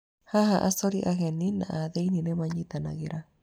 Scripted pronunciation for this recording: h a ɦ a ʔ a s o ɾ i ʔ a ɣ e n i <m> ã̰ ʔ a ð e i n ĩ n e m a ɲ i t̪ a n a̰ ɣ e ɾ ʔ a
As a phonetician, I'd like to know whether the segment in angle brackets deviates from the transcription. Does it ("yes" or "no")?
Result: yes